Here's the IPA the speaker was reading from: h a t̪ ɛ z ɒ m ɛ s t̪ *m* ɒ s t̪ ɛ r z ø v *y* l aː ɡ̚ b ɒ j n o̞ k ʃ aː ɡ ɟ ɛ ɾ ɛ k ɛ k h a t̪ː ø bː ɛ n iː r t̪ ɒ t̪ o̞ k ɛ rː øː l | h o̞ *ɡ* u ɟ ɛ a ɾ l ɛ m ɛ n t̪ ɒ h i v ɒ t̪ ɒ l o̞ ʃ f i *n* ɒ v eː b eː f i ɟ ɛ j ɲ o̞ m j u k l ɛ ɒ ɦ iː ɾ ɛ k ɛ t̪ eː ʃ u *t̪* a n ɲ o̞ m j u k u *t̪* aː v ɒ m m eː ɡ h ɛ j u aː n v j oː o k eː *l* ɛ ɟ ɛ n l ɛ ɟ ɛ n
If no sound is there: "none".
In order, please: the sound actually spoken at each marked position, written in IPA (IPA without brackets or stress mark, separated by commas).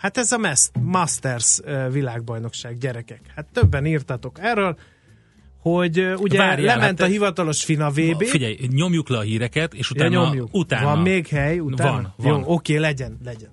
m, i, ɟ, n, t̪, t̪, l